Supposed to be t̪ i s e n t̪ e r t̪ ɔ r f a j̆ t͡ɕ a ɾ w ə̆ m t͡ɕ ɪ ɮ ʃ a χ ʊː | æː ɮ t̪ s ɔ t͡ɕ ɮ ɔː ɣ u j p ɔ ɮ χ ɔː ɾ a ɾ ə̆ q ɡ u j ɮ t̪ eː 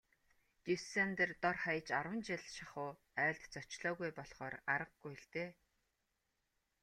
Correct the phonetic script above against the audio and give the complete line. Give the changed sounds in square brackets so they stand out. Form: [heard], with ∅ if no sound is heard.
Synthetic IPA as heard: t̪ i s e n t̪ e r t̪ ɔ r [χ] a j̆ t͡ɕ a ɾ w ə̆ [n] t͡ɕ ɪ ɮ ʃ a χ ʊː | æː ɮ t̪ [t͡s] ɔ t͡ɕ ɮ ɔː ɣ u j p ɔ ɮ χ ɔː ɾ a ɾ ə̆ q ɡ u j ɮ t̪ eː